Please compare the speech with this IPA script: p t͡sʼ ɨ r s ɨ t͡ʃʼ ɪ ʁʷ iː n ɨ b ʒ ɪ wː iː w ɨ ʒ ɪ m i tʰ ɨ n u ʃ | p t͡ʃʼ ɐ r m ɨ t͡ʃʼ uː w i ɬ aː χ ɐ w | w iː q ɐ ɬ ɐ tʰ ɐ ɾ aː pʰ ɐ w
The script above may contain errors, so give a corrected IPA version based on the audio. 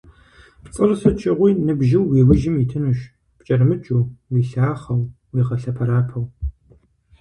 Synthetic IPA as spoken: p t͡sʼ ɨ r s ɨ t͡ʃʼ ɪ ʁʷ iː n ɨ b ʒ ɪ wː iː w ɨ ʒ ɪ m i tʰ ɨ n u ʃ | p t͡ʃʼ ɐ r m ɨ t͡ʃʼ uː w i ɬ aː χ ɐ w | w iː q ɐ ɬ ɐ pʰ ɐ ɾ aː pʰ ɐ w